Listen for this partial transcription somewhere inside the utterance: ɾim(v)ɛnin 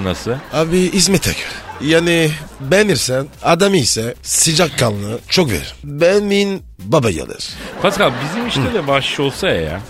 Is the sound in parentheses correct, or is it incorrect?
incorrect